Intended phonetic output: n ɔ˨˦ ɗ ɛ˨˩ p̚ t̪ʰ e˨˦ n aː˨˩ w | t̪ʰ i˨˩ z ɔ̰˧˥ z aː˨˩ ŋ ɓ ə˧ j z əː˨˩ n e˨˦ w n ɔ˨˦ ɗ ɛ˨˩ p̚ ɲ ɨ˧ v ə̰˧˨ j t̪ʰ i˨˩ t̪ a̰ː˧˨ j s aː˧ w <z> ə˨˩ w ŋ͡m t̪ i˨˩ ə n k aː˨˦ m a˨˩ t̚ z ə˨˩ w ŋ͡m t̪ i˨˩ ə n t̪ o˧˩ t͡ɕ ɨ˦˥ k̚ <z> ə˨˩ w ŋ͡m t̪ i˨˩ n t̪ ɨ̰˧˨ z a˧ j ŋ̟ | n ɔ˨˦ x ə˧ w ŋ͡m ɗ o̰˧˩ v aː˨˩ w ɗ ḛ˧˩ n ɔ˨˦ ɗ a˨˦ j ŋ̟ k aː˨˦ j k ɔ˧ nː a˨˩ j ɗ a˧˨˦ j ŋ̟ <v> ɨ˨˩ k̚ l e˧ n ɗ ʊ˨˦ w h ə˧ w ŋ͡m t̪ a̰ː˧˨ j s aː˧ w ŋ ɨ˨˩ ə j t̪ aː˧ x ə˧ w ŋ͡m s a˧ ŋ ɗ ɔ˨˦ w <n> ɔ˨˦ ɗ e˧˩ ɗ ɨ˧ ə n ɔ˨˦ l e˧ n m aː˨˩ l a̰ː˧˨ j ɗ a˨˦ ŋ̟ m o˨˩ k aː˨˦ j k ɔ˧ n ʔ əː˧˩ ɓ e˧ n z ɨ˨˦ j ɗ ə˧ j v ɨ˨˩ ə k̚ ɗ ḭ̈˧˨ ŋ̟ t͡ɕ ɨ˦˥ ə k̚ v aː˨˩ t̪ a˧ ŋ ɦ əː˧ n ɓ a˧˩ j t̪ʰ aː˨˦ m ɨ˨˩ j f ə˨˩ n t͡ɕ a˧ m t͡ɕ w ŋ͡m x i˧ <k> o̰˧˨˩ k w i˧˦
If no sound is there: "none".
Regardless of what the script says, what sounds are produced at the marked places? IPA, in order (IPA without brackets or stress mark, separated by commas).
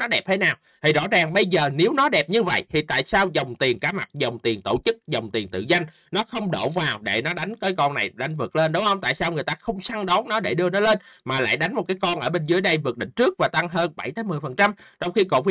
z, z, v, n, k